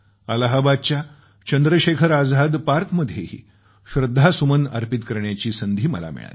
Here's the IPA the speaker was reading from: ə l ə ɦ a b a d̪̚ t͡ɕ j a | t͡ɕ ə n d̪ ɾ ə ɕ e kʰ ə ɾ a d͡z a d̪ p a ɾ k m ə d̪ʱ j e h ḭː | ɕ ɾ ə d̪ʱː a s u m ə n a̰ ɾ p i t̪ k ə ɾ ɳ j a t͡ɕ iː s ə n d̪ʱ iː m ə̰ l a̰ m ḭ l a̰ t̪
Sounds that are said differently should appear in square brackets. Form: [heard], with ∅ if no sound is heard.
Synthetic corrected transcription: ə l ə ɦ a b a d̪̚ t͡ɕ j a | t͡ɕ ə n d̪ ɾ ə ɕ e kʰ ə ɾ a d͡z a d̪ p a ɾ k m ə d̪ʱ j e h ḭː | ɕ ɾ ə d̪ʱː a s u m ə n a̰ ɾ p i t̪ k ə ɾ ɳ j a t͡ɕ iː s ə n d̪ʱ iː m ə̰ l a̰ m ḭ [ɭ] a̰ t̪